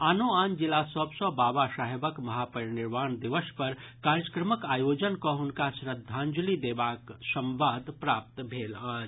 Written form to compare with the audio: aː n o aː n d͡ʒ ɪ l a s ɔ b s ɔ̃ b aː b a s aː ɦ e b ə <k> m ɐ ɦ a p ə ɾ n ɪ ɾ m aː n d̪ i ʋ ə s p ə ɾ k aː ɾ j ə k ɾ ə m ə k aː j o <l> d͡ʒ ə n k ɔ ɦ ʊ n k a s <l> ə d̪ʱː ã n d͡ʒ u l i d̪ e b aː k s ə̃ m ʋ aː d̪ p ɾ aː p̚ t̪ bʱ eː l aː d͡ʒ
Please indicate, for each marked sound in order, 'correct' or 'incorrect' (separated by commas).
correct, incorrect, incorrect